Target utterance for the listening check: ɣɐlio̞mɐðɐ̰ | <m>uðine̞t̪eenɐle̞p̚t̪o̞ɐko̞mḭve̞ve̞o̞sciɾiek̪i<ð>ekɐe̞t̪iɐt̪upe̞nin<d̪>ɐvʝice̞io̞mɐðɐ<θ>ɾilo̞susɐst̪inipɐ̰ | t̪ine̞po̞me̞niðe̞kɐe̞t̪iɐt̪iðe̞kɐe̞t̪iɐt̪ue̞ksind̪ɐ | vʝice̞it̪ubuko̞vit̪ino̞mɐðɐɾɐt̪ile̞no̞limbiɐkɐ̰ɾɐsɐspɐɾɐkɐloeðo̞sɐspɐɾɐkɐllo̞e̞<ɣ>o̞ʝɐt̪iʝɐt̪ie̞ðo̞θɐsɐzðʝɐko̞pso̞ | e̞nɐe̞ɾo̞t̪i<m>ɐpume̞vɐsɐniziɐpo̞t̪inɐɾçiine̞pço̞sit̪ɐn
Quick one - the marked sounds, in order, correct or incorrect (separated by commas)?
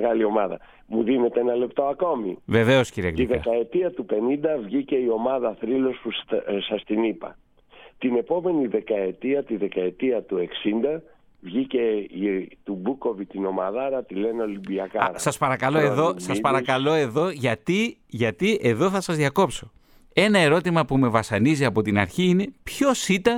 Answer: correct, correct, correct, correct, incorrect, correct